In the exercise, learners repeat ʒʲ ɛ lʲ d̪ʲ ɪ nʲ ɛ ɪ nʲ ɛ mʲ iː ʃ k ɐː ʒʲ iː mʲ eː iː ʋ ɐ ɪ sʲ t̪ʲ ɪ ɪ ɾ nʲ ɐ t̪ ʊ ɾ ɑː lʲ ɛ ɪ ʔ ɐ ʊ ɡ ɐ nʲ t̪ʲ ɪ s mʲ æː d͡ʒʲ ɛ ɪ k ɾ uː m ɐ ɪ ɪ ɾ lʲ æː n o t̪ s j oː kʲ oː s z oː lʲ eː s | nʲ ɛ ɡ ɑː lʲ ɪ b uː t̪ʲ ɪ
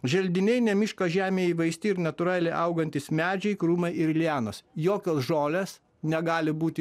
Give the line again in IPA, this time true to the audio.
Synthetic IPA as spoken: ʒʲ ɛ lʲ d̪ʲ ɪ nʲ ɛ ɪ nʲ ɛ mʲ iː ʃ k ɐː ʒʲ æː mʲ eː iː ʋ ɐ ɪ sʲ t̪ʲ ɪ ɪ ɾ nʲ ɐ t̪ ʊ ɾ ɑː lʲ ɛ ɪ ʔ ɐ ʊ ɡ ɐ nʲ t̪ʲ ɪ s mʲ æː d͡ʒʲ ɛ ɪ k ɾ uː m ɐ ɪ ɪ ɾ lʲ æː n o s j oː kʲ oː s ʒ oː lʲ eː s | nʲ ɛ ɡ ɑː lʲ ɪ b uː t̪ʲ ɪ